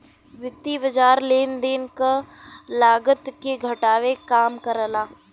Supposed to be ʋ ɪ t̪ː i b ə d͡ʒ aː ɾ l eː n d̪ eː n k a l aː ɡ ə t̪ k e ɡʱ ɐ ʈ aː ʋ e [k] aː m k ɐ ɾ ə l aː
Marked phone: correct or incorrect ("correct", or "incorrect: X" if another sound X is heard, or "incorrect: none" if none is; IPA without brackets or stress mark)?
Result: correct